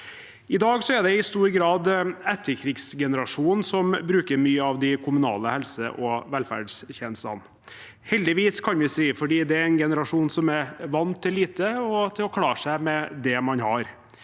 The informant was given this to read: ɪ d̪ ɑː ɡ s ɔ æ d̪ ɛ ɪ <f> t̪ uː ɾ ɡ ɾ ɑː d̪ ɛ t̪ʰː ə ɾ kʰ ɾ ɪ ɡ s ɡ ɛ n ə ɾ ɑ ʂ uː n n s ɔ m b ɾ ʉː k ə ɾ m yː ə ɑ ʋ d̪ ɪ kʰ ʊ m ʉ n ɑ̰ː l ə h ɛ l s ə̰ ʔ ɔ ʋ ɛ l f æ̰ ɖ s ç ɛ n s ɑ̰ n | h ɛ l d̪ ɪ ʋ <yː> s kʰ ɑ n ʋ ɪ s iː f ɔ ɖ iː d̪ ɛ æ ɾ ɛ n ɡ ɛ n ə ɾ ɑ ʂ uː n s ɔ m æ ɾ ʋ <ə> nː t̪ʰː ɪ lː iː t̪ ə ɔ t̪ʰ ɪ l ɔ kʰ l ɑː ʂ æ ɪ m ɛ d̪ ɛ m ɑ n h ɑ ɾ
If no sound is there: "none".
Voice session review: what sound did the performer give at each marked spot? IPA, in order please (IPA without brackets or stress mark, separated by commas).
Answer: s, iː, ɑ